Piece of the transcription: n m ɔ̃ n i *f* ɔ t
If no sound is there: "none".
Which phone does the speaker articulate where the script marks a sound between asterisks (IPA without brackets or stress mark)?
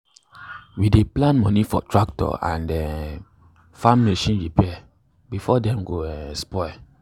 f